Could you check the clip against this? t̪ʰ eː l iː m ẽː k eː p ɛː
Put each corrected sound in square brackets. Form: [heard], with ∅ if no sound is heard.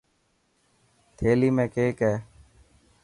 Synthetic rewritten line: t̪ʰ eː l iː m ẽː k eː [k] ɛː